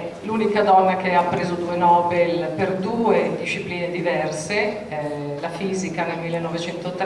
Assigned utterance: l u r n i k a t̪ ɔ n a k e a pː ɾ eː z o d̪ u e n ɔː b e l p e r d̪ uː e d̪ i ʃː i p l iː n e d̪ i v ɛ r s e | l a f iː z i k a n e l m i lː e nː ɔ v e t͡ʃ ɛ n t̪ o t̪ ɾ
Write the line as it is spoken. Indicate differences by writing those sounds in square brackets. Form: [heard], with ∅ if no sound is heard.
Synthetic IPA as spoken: l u [∅] n i k a [d̪] ɔ [nː] a k e a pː ɾ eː z o d̪ u e n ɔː b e l p e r d̪ uː e d̪ i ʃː i p l iː n e d̪ i v ɛ r s e | l a f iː z i k a n e l m i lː e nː ɔ v e t͡ʃ ɛ n t̪ o t̪ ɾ

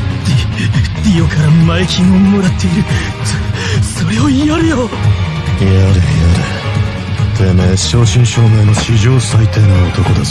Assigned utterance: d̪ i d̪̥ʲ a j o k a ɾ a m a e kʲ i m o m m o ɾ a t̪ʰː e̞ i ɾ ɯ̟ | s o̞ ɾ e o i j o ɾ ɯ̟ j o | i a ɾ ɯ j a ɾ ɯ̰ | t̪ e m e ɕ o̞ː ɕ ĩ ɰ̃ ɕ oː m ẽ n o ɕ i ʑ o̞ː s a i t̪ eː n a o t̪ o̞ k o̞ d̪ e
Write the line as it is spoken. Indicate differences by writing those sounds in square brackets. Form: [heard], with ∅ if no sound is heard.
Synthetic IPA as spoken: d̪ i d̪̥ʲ [i] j o k a ɾ a m a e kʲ i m o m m o ɾ a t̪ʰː e̞ i ɾ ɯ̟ | s o̞ ɾ e o i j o ɾ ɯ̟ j o | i a ɾ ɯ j a ɾ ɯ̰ | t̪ e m e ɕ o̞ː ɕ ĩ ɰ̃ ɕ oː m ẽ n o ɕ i ʑ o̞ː s a i t̪ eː n a o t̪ o̞ k o̞ d̪ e

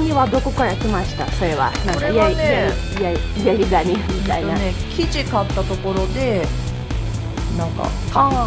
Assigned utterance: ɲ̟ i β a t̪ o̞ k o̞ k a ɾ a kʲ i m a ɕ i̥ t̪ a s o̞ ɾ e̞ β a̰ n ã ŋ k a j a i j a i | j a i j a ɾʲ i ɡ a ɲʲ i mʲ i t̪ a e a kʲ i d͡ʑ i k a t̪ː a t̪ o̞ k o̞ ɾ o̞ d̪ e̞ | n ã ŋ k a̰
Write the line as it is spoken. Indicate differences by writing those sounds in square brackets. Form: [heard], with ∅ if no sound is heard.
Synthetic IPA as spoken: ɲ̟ i β a [d̪] o̞ k o̞ k a ɾ a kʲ i m a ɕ i̥ t̪ a s o̞ ɾ e̞ β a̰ n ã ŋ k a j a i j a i | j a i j a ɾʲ i ɡ a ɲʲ i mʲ i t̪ a [i] a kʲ i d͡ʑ i k a t̪ː a t̪ o̞ k o̞ ɾ o̞ d̪ e̞ | n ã ŋ k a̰

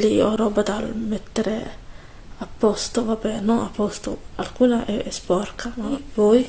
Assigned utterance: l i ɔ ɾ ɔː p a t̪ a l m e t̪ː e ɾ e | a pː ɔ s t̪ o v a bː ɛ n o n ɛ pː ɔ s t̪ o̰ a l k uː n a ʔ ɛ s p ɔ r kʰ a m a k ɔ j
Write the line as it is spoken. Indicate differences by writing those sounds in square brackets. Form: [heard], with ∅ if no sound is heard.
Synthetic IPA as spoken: l i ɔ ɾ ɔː [b] a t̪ a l m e t̪ː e ɾ e | a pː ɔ s t̪ o v a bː ɛ n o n [a] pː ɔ s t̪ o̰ a l k uː n a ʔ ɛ s p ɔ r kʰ a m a [p] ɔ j

